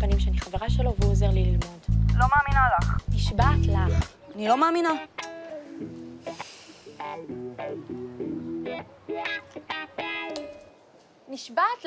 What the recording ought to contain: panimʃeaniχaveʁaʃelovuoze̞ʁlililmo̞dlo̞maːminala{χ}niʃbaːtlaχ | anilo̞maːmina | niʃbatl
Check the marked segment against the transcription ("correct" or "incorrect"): correct